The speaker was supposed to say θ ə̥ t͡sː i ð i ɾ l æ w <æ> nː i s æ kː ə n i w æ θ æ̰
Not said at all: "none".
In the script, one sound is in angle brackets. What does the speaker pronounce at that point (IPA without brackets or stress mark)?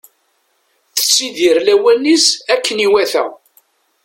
æ